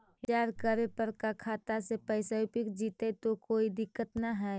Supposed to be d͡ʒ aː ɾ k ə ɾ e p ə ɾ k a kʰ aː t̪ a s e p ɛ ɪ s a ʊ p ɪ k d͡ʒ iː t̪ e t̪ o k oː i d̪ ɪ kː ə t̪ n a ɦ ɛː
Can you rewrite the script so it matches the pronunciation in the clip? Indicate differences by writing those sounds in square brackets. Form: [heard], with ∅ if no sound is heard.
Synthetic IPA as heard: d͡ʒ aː ɾ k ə ɾ e p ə ɾ k a kʰ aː t̪ a s e p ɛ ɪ s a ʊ p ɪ k d͡ʒ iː t̪ e t̪ o k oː i d̪ ɪ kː ə t̪ n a ɦ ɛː